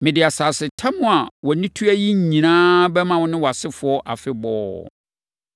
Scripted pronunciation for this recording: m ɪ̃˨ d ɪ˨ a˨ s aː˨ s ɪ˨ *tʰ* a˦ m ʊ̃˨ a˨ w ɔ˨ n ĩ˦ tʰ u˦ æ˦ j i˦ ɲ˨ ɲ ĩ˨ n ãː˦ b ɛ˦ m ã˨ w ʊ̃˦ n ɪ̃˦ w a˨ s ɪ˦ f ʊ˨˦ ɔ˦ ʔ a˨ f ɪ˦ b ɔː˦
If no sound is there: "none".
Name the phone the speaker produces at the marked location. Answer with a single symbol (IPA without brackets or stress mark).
tʰ